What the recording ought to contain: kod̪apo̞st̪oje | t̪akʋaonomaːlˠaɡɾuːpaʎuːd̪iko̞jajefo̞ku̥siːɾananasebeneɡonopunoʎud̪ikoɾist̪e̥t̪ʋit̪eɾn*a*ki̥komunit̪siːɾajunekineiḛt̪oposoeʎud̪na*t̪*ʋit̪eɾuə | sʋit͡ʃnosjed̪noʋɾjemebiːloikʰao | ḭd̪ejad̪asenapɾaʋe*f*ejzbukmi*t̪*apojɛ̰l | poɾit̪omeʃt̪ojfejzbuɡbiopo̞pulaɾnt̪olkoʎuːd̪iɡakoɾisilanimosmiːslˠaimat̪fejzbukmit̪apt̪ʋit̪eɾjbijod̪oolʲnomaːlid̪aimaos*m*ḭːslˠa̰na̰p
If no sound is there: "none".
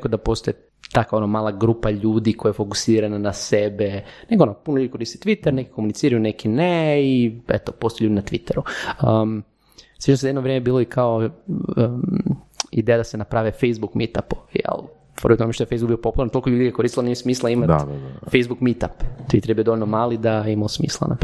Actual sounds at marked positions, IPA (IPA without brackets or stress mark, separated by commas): e, t̪, f, t̪, m